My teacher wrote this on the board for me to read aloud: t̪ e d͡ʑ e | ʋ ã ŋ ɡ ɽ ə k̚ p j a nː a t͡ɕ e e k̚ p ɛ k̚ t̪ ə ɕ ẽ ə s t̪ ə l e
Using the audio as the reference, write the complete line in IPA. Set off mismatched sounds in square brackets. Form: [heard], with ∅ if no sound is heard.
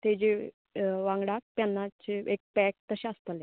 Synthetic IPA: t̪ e d͡ʑ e | ʋ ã ŋ ɡ ɽ [a] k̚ p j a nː a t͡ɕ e e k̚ p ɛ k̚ t̪ ə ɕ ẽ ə s t̪ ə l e